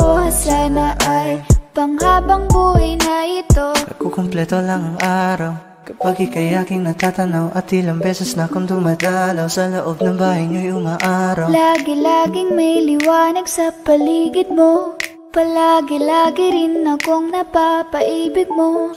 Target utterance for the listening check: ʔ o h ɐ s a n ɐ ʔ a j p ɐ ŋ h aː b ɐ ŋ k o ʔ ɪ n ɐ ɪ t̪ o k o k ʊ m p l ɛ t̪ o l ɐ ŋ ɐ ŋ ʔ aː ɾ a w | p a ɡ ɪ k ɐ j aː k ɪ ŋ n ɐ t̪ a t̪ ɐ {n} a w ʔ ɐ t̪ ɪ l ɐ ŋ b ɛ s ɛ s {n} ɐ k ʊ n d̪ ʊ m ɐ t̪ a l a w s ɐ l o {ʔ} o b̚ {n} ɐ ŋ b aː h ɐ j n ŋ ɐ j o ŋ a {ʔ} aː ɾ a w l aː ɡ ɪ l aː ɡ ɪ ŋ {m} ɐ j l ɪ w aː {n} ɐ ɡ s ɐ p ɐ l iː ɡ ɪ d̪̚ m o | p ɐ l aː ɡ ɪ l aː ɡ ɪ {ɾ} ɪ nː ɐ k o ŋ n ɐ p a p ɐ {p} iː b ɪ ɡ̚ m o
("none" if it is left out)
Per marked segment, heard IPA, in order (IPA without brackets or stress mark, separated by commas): n, n, ʔ, n, ʔ, m, n, ɾ, ʔ